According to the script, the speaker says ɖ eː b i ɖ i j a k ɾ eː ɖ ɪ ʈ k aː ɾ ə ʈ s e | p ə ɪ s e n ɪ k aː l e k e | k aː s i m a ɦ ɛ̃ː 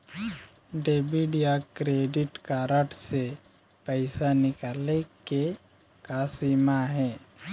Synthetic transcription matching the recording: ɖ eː b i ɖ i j a k ɾ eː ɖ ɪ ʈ k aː ɾ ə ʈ s e | p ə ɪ s a n ɪ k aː l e k e | k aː s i m a ɦ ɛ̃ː